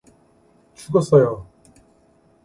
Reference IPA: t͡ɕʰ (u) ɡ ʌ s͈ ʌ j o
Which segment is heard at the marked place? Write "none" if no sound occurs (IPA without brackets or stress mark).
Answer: u